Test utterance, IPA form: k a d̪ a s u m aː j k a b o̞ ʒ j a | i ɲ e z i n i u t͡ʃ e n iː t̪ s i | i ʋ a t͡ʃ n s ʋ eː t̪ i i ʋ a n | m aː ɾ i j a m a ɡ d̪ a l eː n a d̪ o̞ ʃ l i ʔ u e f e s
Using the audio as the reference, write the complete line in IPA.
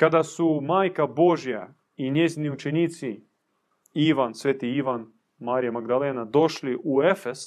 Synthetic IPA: k a d̪ a s u m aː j k a b o̞ ʒ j a | i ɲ e z i n i u t͡ʃ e n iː t̪ s i | i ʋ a n s ʋ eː t̪ i i ʋ a n | m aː ɾ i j a m a ɡ d̪ a l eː n a d̪ o̞ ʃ l i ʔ u e f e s